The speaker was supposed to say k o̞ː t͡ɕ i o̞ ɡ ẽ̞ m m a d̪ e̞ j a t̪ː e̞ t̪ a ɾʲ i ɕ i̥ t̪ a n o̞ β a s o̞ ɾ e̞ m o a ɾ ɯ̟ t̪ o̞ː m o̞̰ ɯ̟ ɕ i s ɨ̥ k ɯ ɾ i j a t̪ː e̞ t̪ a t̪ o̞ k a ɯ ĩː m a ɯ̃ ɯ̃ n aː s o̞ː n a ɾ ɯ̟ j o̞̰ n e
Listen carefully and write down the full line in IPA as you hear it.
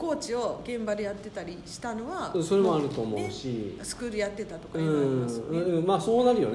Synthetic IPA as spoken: k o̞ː t͡ɕ i o̞ ɡ ẽ̞ m b a d̪ e̞ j a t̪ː e̞ t̪ a ɾʲ i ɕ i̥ t̪ a n o̞ β a s o̞ ɾ e̞ m o a ɾ ɯ̟ t̪ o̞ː m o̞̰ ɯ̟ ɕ i s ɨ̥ k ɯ ɾ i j a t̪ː e̞ t̪ a t̪ o̞ k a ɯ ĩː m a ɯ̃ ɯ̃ m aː s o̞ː n a ɾ ɯ̟ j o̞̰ n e